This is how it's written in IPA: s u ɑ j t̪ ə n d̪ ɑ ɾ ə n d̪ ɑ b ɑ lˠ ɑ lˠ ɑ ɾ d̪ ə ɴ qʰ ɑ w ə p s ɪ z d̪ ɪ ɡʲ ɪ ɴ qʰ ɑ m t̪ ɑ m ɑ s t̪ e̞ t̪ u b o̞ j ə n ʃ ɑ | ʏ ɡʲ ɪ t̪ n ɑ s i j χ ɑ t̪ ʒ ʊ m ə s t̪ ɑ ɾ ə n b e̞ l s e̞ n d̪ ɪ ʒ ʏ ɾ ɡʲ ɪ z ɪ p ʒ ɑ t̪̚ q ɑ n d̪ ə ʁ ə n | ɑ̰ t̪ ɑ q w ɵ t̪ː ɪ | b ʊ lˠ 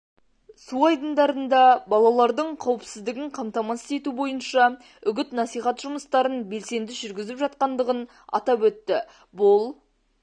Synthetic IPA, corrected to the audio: s u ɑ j d̪ ə n d̪ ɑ ɾ ə n d̪ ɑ b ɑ lˠ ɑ lˠ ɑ ɾ d̪ ə ɴ qʰ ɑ w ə p s ɪ z d̪ ɪ ɡʲ ɪ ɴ qʰ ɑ m t̪ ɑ m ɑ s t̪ e̞ t̪ u b o̞ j ə n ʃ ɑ | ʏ ɡʲ ɪ t̪ n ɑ s i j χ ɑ t̪ ʒ ʊ m ə s t̪ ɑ ɾ ə n b e̞ l s e̞ n d̪ ɪ ʒ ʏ ɾ ɡʲ ɪ z ɪ p ʒ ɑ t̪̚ q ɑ n d̪ ə ʁ ə n | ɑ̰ t̪ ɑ p w ɵ t̪ː ɪ | b ʊ lˠ